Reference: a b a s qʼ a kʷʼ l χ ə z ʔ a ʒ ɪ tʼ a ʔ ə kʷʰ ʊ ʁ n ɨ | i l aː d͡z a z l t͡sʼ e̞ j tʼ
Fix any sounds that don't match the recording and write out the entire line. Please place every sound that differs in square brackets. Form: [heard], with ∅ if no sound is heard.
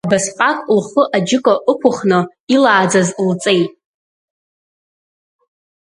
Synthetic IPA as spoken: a b a s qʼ a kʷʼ l χ ə [∅] ʔ a [d͡ʒ] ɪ [kʼ] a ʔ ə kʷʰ ʊ [χ] n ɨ | i l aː d͡z a z l t͡sʼ e̞ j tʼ